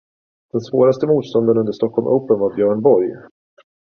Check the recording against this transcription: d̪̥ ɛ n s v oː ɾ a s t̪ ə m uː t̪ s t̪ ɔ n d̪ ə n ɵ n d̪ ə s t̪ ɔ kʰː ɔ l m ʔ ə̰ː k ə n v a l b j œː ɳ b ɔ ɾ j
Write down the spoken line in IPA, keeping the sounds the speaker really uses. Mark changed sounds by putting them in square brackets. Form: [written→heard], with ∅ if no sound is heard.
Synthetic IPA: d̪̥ ɛ n s v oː ɾ a s t̪ ə m uː t̪ s t̪ ɔ n d̪ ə n ɵ n d̪ ə [s→ʂ] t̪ ɔ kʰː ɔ l m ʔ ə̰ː [k→p] ə n v a [l→ɾ] b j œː ɳ b ɔ ɾ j